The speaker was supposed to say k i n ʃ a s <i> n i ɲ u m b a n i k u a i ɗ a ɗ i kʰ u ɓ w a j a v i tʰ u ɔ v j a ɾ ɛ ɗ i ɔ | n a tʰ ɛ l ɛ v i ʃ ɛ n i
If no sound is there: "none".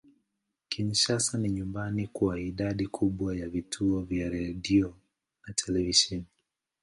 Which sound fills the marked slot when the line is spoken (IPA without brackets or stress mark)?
a